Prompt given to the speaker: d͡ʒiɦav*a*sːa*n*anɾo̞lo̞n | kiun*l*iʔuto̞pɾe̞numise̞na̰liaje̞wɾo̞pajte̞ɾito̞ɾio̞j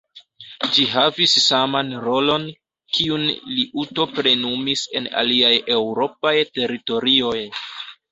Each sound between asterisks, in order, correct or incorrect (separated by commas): incorrect, incorrect, correct